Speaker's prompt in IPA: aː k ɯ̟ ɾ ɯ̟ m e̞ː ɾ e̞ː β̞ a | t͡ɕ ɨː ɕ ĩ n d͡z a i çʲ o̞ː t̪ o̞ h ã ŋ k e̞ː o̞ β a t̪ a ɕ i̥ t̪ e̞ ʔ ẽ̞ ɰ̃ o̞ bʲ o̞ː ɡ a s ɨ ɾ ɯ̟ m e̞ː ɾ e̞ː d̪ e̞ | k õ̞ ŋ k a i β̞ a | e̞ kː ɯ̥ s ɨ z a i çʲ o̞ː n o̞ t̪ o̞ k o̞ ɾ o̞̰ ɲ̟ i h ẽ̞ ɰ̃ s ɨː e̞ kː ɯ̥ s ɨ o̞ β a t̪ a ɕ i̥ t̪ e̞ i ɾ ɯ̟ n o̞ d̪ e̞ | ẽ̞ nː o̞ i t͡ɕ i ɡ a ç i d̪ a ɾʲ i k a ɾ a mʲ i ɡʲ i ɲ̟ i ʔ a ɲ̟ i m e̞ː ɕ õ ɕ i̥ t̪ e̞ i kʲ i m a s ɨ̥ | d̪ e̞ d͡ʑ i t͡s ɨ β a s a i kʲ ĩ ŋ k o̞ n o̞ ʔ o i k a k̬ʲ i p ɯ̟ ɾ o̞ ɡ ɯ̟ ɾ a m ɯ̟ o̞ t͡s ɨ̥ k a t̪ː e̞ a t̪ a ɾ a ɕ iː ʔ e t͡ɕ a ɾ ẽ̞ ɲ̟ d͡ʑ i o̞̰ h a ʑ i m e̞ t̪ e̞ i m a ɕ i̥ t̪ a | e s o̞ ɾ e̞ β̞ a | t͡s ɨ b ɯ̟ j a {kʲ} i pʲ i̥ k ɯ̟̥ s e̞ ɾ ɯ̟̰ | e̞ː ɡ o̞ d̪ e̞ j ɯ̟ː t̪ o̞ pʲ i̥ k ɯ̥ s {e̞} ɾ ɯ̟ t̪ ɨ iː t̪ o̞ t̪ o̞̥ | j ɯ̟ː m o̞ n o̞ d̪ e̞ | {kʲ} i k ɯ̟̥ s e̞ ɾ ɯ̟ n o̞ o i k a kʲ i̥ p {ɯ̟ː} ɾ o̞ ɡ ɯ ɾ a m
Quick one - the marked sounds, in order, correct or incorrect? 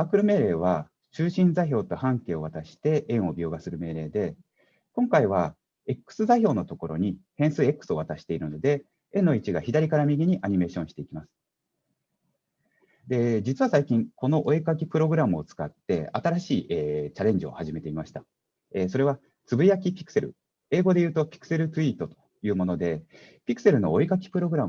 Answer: correct, correct, incorrect: pʲ, incorrect: ɯ̟

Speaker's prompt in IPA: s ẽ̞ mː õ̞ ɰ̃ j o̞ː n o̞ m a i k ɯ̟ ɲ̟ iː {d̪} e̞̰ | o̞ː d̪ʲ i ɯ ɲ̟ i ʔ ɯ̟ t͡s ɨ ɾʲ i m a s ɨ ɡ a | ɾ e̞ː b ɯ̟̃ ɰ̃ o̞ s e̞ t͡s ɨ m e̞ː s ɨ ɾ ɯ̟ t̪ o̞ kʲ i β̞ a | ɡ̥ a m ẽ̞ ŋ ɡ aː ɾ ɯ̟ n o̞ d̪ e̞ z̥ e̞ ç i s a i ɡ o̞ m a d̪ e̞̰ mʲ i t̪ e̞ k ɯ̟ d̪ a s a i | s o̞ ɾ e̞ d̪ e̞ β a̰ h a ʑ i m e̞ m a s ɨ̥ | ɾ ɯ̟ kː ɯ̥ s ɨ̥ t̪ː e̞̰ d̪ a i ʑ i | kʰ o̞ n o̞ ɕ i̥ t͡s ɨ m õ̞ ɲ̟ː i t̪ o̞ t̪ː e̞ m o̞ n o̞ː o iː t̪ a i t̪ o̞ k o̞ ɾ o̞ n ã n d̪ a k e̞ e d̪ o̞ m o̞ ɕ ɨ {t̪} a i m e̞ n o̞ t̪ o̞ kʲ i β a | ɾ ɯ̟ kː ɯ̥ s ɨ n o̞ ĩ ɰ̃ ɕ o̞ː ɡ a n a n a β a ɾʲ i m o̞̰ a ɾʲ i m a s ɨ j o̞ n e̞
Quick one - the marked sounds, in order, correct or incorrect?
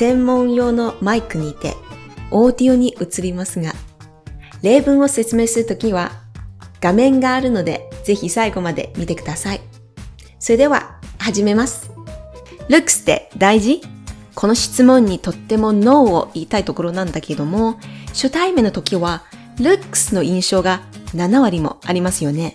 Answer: incorrect: t̪, correct

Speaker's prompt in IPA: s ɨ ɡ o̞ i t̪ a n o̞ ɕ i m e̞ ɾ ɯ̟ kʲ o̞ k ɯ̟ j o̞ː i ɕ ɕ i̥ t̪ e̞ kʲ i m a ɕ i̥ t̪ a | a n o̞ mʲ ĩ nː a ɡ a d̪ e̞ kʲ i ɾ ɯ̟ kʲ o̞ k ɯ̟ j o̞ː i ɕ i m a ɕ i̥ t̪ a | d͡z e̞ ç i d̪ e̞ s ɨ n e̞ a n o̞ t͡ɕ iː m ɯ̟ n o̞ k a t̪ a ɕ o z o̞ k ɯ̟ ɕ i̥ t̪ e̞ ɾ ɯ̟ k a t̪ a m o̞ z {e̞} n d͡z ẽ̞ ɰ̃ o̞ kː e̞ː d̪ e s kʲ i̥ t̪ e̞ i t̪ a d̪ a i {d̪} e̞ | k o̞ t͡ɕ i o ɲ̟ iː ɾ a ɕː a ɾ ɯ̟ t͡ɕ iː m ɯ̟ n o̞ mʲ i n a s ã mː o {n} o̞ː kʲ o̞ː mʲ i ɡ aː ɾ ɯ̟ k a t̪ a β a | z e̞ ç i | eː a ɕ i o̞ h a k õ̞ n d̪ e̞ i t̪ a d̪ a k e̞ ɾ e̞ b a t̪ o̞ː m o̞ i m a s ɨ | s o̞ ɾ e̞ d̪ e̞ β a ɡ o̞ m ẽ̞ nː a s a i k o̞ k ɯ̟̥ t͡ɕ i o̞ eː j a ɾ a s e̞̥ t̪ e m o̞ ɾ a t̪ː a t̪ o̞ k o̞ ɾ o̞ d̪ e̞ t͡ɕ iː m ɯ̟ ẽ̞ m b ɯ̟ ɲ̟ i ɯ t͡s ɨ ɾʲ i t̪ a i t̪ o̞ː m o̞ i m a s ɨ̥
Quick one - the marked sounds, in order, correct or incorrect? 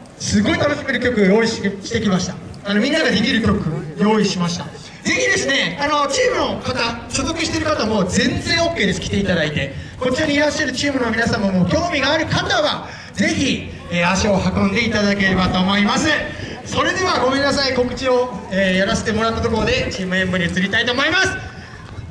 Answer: incorrect: ẽ̞, incorrect: t̪, incorrect: m

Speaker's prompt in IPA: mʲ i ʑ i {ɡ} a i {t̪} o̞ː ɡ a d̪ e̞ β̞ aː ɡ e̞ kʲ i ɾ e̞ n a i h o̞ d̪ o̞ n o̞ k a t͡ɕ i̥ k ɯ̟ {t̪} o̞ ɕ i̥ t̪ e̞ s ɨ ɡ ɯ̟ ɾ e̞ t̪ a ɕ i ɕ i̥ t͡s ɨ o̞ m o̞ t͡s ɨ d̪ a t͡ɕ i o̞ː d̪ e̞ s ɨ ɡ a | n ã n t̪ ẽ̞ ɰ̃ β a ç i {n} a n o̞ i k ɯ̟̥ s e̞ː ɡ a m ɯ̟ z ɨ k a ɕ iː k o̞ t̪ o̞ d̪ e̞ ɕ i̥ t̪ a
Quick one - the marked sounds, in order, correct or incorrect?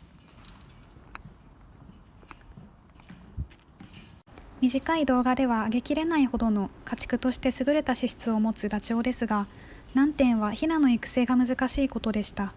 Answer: incorrect: k, incorrect: d̪, correct, correct

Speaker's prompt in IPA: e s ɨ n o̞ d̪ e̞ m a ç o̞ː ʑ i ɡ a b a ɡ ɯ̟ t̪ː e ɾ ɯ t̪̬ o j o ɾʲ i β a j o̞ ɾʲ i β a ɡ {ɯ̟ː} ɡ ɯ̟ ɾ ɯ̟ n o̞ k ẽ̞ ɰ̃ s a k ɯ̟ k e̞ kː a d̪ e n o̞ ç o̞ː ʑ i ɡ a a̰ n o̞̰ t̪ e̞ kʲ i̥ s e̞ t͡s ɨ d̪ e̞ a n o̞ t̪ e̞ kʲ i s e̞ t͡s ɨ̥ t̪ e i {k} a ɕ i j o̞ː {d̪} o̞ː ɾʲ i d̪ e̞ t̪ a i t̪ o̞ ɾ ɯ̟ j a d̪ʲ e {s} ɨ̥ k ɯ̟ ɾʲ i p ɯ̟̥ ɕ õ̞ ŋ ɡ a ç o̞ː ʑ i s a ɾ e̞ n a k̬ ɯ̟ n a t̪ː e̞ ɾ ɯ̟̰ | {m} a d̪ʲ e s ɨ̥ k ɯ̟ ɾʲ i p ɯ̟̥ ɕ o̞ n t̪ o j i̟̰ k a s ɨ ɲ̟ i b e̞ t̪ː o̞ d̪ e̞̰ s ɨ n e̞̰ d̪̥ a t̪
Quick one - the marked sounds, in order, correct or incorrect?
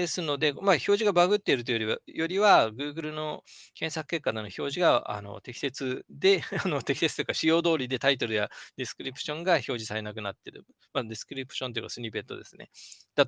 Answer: correct, correct, correct, correct, correct

